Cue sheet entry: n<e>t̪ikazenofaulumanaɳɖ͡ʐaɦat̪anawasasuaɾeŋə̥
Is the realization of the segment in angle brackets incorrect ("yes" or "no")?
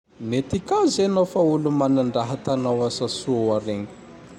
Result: no